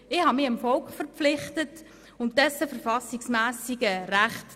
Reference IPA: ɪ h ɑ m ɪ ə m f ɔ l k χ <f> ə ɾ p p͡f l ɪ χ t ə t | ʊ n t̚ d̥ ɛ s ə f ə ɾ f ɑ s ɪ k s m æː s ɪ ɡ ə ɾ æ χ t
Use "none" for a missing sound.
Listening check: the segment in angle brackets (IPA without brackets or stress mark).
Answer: f